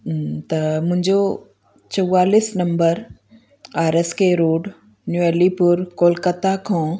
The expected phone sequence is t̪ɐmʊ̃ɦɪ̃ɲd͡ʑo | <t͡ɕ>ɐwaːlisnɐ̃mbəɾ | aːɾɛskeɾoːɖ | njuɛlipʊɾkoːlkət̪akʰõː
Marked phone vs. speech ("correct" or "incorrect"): correct